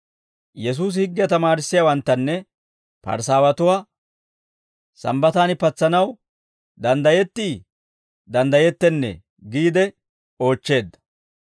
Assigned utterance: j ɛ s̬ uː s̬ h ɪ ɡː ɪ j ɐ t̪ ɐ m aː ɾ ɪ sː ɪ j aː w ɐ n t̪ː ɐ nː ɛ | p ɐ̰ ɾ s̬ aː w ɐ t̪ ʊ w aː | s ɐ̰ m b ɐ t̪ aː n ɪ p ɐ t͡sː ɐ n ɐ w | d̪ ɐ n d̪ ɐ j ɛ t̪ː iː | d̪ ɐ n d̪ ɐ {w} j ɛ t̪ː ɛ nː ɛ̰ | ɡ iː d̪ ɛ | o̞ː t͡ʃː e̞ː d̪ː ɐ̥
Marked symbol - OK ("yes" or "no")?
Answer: no